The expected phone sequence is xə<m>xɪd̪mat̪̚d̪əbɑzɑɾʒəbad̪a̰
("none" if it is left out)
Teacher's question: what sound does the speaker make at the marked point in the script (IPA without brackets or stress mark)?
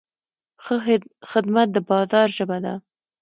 none